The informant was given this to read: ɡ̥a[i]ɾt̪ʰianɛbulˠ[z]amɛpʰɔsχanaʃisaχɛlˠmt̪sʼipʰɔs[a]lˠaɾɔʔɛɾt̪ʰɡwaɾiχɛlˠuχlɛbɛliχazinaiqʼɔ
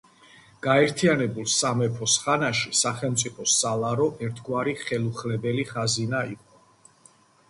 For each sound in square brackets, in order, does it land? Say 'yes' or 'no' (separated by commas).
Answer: no, no, yes